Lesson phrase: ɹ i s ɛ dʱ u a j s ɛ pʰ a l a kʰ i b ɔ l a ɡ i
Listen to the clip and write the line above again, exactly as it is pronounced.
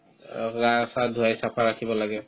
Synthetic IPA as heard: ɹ a s a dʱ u a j s a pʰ a ɹ a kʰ i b ɔ l a ɡ ɛ